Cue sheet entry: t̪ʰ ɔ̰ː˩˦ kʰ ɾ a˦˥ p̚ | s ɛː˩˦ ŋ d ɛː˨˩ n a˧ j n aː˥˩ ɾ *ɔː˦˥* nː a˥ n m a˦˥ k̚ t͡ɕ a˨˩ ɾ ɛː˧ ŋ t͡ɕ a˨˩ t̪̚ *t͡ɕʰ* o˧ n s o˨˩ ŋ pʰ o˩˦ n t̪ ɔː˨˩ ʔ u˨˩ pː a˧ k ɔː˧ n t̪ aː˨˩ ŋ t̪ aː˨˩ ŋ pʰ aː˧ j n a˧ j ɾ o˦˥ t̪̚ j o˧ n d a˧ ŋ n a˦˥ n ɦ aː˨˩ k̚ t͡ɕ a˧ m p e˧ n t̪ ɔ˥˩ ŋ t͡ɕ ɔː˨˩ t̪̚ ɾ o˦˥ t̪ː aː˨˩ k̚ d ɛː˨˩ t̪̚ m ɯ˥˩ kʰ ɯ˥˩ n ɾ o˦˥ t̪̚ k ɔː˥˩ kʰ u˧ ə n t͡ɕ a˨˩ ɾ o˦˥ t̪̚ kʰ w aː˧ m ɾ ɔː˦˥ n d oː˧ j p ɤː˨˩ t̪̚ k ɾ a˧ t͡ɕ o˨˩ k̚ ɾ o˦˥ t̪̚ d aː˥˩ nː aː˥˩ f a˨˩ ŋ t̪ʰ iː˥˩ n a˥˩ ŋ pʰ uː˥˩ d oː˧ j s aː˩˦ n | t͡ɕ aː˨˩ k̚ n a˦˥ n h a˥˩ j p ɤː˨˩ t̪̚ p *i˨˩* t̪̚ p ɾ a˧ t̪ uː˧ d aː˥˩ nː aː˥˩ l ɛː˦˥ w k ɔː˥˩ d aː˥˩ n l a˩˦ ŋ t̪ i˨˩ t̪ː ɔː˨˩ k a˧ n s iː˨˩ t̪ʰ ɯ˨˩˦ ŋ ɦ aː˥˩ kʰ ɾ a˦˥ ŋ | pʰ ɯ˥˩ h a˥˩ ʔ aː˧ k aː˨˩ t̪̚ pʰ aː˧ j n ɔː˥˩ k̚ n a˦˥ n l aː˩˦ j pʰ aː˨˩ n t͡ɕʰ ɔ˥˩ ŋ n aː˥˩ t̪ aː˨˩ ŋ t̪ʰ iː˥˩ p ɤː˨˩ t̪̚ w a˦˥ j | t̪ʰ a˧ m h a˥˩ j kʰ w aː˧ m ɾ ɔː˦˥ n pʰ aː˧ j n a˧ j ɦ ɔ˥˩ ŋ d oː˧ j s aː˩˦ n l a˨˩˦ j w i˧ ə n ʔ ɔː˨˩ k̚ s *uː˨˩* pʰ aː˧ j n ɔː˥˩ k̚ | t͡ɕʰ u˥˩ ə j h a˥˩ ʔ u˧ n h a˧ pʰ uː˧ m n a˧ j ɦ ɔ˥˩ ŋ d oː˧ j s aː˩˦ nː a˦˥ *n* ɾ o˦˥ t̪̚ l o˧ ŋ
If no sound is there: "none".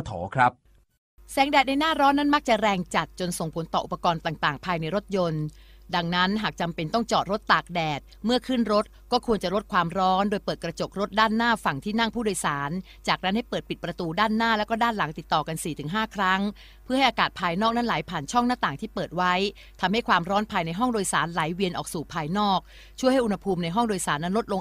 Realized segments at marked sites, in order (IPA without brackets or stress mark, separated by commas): ɔː˦˥, t͡ɕ, i˨˩, uː˨˩, n